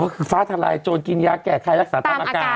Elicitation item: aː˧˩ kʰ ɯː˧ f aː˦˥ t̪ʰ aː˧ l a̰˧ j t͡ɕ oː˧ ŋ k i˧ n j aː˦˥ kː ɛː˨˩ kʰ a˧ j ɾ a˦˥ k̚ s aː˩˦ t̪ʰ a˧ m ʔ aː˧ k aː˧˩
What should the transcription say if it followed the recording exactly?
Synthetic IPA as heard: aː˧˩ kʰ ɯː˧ f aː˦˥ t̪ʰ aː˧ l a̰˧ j t͡ɕ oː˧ n k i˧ n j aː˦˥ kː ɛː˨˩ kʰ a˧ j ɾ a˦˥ k̚ s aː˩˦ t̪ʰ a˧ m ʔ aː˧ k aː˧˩

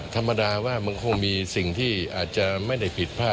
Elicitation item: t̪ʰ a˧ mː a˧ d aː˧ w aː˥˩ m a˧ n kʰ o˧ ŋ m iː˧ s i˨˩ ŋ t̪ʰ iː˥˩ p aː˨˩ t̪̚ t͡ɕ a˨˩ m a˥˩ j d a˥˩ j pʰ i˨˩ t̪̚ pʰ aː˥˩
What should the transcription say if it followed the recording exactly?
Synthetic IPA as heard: t̪ʰ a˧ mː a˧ d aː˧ w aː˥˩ m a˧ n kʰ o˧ ŋ m iː˧ s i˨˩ ŋ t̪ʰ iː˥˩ ʔ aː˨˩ t̪̚ t͡ɕ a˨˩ m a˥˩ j d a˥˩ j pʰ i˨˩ t̪̚ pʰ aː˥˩

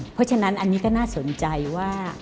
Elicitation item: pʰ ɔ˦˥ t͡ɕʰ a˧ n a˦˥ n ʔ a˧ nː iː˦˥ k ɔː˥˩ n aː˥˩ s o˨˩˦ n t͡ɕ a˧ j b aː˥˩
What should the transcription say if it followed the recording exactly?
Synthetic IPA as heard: pʰ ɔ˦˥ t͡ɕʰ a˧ n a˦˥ n ʔ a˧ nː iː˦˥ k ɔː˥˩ n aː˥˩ s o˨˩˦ n t͡ɕ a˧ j w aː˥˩

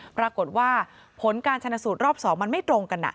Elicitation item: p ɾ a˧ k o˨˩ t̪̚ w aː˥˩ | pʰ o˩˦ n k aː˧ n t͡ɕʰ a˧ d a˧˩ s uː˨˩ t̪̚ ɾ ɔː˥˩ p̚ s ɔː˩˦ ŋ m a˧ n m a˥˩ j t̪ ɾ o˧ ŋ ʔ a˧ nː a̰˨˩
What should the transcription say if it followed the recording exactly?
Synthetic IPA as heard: p ɾ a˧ k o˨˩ t̪̚ w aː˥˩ | pʰ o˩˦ n k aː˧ n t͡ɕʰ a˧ n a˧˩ s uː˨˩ t̪̚ ɾ ɔː˥˩ p̚ s ɔː˩˦ ŋ m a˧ n m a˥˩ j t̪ ɾ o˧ ŋ k a˧ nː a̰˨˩

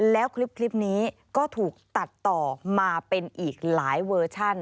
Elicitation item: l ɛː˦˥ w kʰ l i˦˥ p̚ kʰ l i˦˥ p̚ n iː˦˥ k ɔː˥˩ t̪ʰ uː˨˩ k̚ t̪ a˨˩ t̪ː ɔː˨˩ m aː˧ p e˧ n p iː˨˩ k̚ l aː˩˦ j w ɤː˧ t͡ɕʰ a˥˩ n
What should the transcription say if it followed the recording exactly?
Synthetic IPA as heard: l ɛː˦˥ w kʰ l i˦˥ p̚ kʰ l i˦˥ p̚ n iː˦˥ k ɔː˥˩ t̪ʰ uː˨˩ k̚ t̪ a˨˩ t̪ː ɔː˨˩ m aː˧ p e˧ n ʔ iː˨˩ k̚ l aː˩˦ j w ɤː˧ t͡ɕʰ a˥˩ n

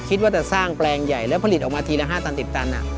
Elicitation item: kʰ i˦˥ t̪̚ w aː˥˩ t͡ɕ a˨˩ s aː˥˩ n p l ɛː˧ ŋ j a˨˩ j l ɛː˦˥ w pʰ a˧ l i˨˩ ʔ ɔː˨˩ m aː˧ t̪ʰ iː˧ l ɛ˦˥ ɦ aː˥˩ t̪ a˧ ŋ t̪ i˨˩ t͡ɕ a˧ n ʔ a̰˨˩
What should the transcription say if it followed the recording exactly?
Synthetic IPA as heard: kʰ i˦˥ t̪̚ w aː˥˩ t͡ɕ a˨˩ s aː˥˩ ŋ p l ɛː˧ ŋ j a˨˩ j l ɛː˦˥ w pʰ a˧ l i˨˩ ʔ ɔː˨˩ m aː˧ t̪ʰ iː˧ l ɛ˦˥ ɦ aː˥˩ t̪ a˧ n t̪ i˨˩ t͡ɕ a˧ n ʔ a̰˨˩

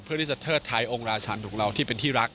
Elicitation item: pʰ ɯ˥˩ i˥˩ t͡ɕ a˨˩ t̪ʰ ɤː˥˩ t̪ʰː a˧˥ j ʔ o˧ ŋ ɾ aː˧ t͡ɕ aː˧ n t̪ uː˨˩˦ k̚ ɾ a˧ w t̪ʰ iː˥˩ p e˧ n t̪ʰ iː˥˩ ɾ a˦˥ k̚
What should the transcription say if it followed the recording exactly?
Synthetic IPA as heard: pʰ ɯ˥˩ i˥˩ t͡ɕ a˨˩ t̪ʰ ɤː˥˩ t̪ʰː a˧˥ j ʔ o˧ ŋ ɾ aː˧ t͡ɕʰ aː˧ n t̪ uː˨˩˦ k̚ ɾ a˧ w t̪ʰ iː˥˩ p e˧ n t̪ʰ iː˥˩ ɾ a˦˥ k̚

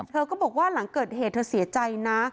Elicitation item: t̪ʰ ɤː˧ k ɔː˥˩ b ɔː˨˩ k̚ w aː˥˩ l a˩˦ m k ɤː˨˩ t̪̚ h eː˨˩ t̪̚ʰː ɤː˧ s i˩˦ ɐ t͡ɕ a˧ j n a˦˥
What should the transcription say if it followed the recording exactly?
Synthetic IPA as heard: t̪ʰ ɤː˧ k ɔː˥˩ b ɔː˨˩ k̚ w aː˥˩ l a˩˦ ŋ k ɤː˨˩ t̪̚ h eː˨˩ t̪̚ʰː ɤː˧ s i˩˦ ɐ t͡ɕ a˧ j n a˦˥

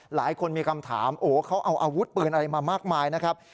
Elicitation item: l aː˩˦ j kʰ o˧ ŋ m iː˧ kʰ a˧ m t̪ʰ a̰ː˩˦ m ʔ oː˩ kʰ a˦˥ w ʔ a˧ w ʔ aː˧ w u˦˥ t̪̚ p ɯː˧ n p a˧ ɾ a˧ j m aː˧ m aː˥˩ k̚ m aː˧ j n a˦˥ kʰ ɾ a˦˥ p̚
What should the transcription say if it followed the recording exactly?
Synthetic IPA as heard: l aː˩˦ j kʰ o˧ n m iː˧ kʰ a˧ m t̪ʰ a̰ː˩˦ m ʔ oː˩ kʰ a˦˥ w ʔ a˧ w ʔ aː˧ w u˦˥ t̪̚ p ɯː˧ n ʔ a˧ ɾ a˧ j m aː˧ m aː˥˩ k̚ m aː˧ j n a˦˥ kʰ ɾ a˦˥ p̚

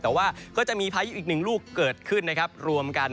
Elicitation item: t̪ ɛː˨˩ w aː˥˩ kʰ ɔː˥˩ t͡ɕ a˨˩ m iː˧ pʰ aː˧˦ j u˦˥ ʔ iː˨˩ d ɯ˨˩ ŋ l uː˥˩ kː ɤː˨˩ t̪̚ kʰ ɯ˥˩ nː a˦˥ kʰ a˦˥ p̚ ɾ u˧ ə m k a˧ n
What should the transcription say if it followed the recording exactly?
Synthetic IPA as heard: t̪ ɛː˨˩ w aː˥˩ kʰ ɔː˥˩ t͡ɕ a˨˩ m iː˧ pʰ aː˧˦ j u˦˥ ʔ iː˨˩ n ɯ˨˩ ŋ l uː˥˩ kː ɤː˨˩ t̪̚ kʰ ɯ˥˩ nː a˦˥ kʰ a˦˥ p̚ ɾ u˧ ə m k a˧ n

